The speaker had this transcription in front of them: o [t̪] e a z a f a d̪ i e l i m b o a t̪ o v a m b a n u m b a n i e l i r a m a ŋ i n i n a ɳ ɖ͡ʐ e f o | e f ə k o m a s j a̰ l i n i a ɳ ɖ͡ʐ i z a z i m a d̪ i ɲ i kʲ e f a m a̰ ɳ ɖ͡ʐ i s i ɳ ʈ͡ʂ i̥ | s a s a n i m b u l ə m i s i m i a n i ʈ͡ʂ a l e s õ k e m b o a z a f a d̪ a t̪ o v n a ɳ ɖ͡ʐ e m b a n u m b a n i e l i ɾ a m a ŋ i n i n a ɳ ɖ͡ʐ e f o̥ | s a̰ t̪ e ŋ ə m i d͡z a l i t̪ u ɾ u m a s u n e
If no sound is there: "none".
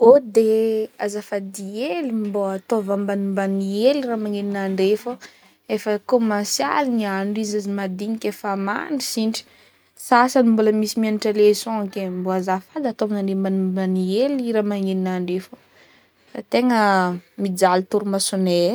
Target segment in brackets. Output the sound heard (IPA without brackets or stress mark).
d̪